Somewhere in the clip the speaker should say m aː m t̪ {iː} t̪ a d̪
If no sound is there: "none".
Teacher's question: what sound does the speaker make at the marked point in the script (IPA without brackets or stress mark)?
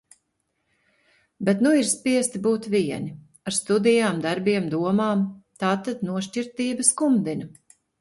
aː